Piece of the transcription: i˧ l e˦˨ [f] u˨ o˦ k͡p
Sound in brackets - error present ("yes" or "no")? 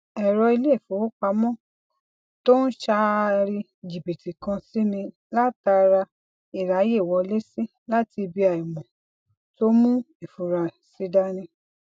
no